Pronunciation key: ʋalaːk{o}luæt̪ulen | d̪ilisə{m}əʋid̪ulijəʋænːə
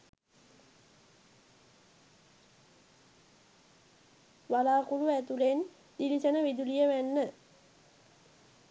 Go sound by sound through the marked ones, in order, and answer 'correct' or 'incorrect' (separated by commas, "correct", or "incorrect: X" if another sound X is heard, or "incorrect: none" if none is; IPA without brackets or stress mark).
incorrect: u, incorrect: n